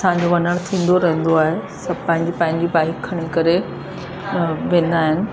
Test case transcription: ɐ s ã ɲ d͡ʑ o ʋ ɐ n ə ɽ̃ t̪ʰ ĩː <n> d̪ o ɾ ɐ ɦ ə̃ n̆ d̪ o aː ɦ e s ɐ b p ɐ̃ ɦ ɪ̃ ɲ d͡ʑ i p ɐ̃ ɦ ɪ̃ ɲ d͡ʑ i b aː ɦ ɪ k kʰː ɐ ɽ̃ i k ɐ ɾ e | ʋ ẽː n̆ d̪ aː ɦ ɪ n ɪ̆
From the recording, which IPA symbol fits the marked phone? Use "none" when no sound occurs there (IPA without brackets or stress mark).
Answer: n